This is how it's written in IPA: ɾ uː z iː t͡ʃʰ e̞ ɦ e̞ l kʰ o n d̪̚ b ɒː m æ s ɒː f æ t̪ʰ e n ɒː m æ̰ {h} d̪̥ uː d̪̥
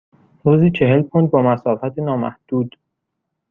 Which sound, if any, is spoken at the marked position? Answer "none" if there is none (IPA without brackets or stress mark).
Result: h